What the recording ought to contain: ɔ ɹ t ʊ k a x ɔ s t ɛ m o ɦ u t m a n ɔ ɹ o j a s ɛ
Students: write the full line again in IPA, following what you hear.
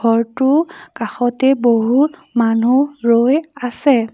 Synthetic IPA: ɔ ɹ t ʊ k a x ɔ t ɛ b o ɦ u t m a n u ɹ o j a s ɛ